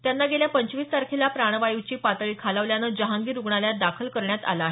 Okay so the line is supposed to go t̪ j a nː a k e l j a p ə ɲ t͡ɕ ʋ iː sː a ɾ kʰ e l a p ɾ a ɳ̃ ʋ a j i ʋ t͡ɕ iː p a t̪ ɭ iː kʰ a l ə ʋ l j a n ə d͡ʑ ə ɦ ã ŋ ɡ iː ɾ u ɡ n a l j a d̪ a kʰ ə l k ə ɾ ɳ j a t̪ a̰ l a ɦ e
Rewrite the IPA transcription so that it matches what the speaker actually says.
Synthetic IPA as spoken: t̪ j a nː a ɡ e l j a p ə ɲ t͡ɕ ʋ iː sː a ɾ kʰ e l a p ɾ a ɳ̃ ʋ a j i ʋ t͡ɕ iː p a t̪ ɭ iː kʰ a l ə ʋ l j a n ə d͡ʑ ə ɦ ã ŋ ɡ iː ɾ u ɡ ɳ a l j a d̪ a kʰ ə l k ə ɾ ɳ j a t̪ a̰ l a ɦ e